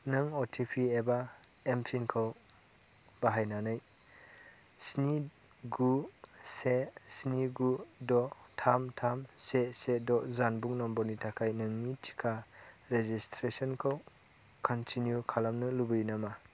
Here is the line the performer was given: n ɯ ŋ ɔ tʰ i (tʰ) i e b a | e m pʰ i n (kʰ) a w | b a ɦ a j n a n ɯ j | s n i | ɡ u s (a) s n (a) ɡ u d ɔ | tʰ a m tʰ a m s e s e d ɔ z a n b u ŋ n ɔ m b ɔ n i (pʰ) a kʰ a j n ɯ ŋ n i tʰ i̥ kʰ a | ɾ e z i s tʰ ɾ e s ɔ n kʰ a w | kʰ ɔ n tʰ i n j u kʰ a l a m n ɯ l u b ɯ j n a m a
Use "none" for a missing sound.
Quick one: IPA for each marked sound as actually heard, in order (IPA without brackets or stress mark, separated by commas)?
pʰ, kʰ, e, i, tʰ